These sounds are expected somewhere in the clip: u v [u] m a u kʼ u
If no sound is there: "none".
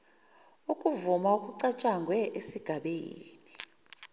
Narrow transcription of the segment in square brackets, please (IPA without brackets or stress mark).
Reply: u